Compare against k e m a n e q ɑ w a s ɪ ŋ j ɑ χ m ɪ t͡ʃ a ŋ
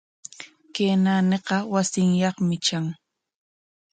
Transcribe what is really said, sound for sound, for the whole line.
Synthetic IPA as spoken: k e n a n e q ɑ w a s ɪ ŋ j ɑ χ m ɪ t͡ʃ a ŋ